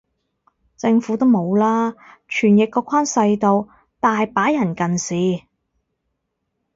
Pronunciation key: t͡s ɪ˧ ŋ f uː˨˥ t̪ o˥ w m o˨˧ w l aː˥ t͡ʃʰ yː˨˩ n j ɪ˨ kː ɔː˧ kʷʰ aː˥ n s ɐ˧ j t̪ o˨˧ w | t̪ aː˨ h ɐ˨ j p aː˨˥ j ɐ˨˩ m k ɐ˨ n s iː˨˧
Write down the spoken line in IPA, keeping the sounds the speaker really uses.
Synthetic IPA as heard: t͡s ɪ˧ ŋ f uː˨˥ t̪ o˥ w m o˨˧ w l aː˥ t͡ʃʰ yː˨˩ n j ɪ˨ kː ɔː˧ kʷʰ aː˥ n s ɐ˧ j t̪ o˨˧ w | t̪ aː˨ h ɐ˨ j p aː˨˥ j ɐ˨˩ n k ɐ˨ n s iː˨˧